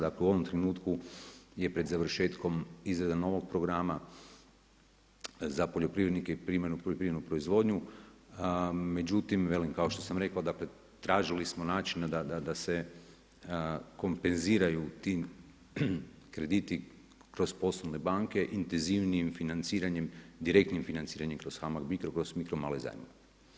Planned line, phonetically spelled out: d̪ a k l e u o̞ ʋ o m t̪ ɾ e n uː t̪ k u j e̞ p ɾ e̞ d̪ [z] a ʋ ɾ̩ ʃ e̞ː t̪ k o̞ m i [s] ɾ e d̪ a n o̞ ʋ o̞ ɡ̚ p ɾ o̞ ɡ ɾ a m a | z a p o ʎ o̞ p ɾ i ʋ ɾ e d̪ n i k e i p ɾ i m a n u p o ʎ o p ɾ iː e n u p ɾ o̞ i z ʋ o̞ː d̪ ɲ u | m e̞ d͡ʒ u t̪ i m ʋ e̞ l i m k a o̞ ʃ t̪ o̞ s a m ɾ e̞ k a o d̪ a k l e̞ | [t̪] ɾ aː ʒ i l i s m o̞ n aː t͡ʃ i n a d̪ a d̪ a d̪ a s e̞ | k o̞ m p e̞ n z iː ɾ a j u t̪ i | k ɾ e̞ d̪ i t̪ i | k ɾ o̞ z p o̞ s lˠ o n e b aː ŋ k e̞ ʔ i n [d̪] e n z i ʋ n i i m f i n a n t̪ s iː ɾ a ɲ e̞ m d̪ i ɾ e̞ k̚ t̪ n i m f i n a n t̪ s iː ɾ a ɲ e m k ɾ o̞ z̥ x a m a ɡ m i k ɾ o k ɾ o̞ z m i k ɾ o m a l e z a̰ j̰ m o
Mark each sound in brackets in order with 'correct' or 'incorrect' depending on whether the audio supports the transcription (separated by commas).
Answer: correct, incorrect, correct, incorrect